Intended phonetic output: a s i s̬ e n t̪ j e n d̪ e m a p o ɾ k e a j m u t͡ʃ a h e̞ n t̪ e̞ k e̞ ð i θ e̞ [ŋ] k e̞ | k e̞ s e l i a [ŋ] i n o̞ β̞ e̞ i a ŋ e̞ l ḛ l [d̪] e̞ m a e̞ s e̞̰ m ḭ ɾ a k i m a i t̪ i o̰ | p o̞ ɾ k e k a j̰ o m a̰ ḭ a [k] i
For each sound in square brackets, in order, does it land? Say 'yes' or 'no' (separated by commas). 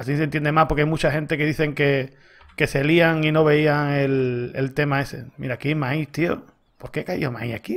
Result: yes, yes, no, yes